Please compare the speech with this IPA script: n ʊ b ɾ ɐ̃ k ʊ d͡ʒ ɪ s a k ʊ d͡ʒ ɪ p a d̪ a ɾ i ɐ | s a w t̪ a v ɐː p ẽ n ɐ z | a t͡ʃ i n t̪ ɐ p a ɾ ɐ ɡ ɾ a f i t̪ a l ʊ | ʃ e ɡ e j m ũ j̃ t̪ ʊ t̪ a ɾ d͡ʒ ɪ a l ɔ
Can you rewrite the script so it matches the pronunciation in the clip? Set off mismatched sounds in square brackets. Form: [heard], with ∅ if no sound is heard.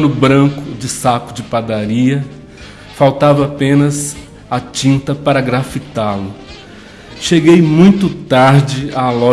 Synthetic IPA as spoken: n ʊ b ɾ ɐ̃ k ʊ d͡ʒ ɪ s a k ʊ d͡ʒ ɪ p a d̪ a ɾ i ɐ | [f] a w t̪ a v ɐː p ẽ n ɐ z | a t͡ʃ [ĩ] n t̪ ɐ p a ɾ ɐ ɡ ɾ a f i t̪ a l ʊ | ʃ e ɡ e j m ũ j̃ t̪ ʊ t̪ a ɾ d͡ʒ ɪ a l ɔ